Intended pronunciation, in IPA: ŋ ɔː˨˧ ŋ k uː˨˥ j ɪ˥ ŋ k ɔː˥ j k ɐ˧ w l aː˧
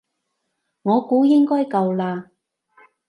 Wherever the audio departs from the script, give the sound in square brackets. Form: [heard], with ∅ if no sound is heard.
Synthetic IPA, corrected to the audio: ŋ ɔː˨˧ [∅] k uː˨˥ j ɪ˥ ŋ k ɔː˥ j k ɐ˧ w l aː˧